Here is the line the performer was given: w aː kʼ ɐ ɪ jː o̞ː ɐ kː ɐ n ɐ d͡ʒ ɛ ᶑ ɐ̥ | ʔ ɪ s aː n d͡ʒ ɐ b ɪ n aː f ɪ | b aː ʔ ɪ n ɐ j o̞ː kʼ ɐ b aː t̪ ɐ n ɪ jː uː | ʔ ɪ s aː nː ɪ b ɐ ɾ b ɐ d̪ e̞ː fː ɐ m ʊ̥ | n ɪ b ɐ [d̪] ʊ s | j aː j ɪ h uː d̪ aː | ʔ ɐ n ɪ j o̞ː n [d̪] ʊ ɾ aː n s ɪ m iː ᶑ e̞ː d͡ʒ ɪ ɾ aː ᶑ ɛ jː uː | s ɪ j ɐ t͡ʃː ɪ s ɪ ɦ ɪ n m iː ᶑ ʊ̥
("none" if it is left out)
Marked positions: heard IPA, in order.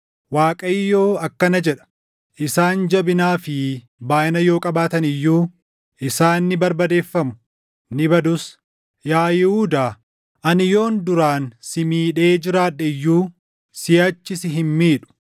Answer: d̪, d̪

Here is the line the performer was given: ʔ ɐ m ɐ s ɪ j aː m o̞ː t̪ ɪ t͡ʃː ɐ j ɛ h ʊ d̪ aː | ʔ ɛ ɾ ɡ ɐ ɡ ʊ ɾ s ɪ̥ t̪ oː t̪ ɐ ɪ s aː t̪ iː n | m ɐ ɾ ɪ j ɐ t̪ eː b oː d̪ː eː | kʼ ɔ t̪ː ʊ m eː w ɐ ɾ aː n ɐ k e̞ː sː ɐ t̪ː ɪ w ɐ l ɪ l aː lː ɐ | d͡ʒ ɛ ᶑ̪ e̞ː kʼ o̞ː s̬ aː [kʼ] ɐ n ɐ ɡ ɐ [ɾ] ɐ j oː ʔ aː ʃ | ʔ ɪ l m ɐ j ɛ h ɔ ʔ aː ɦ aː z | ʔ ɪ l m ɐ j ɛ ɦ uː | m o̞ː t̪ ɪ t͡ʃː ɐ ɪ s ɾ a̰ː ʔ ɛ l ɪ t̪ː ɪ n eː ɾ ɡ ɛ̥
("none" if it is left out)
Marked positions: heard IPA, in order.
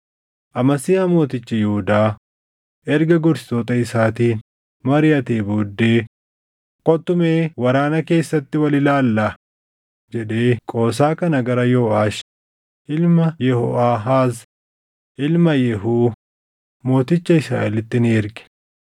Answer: k, ɾ

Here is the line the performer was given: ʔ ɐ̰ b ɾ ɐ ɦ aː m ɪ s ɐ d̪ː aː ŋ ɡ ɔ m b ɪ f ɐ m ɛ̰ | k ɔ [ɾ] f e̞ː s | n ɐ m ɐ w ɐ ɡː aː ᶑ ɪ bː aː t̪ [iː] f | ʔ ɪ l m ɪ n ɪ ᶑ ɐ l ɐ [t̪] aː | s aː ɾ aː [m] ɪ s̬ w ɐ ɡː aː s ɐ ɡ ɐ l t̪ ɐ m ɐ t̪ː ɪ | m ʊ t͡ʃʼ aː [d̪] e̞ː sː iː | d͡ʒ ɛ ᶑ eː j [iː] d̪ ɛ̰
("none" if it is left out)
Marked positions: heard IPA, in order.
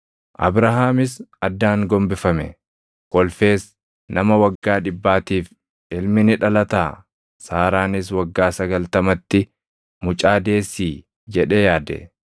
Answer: l, iː, t̪, n, d̪, aː

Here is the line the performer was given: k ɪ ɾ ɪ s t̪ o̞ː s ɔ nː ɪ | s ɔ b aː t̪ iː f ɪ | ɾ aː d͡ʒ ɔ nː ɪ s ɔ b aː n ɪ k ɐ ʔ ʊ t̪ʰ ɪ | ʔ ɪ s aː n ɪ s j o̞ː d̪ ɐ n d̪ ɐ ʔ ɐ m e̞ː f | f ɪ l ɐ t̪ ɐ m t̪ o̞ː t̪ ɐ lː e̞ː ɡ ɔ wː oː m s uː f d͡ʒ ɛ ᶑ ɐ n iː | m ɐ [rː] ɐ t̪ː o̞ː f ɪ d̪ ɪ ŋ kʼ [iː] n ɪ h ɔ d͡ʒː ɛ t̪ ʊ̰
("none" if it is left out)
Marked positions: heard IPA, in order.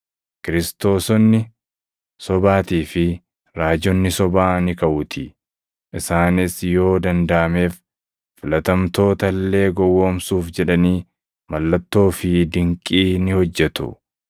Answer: lː, iː

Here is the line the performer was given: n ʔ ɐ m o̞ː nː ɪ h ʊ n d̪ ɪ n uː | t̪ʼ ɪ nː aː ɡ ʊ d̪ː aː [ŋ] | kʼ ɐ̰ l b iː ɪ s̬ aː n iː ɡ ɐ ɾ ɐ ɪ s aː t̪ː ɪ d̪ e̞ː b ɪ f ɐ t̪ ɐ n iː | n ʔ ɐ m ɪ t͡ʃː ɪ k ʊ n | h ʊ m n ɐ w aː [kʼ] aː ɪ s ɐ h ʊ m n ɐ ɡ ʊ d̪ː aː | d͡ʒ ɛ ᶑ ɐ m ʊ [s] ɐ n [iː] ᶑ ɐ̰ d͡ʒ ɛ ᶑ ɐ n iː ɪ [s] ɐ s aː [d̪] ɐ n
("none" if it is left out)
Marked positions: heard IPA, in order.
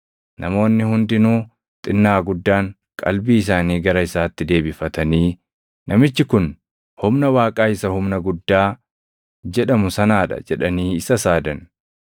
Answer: ŋ, kʼ, s, aː, s, d̪

